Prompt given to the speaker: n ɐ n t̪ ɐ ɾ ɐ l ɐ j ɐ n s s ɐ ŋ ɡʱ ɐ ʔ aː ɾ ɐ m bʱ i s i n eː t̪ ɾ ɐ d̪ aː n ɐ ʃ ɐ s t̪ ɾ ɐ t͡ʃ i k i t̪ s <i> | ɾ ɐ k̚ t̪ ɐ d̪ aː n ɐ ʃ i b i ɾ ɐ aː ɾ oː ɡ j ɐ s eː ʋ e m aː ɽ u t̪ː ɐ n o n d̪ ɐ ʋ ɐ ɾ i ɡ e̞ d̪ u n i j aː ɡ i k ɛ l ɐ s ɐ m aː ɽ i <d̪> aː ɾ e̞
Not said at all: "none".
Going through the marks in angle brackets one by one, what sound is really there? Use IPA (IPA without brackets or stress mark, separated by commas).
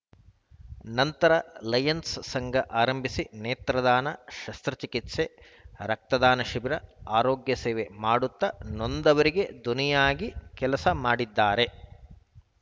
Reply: e, d̪ː